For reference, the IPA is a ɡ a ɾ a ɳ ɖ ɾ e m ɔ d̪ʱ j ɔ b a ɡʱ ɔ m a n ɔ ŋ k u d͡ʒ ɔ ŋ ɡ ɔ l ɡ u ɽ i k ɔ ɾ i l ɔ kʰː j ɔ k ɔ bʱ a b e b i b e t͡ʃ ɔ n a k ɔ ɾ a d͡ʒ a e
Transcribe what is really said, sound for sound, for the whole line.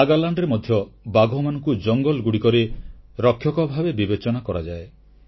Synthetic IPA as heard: a ɡ a l a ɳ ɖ ɾ e m ɔ d̪ʱ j ɔ b a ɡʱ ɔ m a n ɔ ŋ k u d͡ʒ ɔ ŋ ɡ ɔ l ɡ u ɽ i k ɔ ɾ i ɾ ɔ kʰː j ɔ k ɔ bʱ a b e b i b e t͡ʃ ɔ n a k ɔ ɾ a d͡ʒ a e